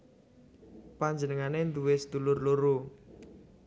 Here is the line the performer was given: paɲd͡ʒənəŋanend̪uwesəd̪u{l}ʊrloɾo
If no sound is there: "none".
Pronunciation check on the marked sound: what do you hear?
l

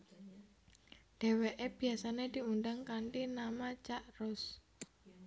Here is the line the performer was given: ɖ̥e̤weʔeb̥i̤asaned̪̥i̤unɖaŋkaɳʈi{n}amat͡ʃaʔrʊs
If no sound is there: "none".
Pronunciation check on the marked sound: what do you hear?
n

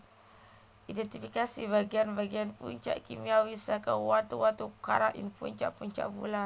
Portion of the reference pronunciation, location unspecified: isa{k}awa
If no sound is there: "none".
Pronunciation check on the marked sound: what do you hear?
k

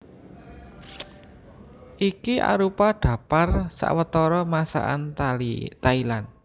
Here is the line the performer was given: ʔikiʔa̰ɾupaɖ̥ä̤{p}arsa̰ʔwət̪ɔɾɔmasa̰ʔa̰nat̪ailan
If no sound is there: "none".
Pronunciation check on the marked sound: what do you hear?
p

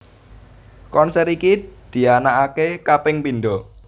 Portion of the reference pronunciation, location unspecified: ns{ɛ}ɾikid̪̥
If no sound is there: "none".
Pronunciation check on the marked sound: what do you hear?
ɛ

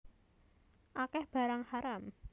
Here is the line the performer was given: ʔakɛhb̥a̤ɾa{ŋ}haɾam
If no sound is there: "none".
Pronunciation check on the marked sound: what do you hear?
ŋ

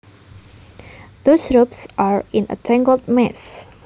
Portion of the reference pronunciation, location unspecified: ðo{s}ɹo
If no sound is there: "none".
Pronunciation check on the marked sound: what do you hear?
s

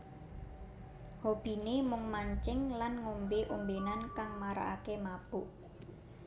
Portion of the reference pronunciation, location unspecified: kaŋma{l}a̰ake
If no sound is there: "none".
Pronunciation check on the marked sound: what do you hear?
ɾ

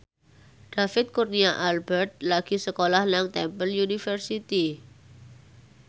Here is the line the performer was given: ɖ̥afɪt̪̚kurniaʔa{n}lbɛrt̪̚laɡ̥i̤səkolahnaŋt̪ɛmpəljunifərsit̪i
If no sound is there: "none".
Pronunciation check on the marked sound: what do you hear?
none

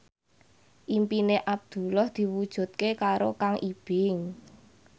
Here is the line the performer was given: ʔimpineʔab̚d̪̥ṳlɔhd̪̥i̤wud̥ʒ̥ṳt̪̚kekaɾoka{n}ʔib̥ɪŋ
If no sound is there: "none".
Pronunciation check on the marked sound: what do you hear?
ŋ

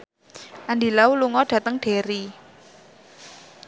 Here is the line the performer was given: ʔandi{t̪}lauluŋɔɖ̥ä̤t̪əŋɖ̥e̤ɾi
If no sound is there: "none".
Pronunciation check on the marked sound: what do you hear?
none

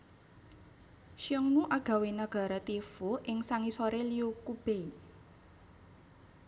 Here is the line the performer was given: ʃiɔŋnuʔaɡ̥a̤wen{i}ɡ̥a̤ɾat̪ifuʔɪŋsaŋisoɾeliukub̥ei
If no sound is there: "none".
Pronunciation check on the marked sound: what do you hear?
a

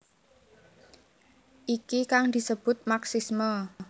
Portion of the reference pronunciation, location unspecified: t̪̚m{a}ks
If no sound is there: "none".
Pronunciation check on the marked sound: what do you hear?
a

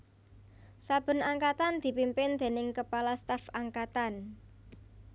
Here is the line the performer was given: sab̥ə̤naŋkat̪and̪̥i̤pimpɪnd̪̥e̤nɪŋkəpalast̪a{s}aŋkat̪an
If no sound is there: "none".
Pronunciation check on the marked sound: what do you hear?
f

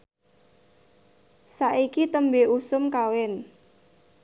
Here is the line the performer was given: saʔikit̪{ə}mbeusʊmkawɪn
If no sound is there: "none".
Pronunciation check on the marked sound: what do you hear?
ə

